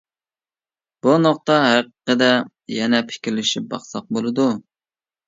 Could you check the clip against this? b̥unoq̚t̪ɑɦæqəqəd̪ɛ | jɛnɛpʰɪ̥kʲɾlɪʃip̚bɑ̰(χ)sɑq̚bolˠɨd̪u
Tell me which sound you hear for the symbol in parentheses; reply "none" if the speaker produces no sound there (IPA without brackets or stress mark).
χ